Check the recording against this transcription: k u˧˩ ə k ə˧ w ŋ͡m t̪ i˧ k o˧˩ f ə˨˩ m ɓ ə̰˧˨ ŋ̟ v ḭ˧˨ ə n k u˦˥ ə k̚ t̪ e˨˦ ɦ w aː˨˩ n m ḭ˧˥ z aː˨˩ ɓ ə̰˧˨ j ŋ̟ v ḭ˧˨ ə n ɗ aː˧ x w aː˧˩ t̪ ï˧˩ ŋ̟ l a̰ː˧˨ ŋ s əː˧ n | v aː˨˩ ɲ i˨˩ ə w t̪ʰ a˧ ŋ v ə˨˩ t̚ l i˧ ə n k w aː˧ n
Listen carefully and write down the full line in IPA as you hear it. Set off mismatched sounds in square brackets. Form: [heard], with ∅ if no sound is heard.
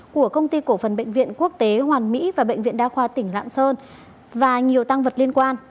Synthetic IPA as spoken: k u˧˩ ə k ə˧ w ŋ͡m t̪ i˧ k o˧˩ f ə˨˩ [n] ɓ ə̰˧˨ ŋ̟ v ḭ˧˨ ə n k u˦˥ ə k̚ t̪ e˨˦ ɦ w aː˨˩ n m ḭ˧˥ [v] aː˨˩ ɓ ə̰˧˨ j ŋ̟ v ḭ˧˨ ə n ɗ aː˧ x w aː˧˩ t̪ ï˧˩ ŋ̟ l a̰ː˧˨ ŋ s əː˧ n | v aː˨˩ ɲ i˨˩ ə w [t̪] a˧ ŋ v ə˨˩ t̚ l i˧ ə n k w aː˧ n